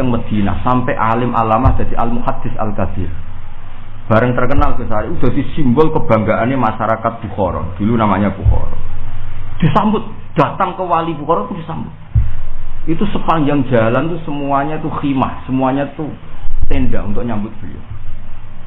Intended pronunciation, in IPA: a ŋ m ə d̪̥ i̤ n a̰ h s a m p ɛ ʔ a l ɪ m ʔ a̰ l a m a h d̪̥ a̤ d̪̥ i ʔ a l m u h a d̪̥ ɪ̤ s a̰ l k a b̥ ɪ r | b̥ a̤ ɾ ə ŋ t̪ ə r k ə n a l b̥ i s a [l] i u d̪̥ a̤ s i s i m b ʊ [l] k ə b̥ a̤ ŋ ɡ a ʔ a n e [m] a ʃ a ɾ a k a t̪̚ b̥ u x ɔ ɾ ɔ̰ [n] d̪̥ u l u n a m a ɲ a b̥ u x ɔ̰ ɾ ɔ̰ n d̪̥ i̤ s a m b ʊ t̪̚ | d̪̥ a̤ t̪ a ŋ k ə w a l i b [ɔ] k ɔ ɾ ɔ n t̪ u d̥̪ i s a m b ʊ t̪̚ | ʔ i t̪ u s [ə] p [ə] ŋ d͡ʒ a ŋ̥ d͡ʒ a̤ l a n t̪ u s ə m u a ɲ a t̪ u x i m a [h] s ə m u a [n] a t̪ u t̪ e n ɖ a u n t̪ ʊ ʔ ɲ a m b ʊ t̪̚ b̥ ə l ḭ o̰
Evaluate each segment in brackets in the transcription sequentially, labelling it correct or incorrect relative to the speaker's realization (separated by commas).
incorrect, correct, correct, correct, incorrect, correct, incorrect, correct, incorrect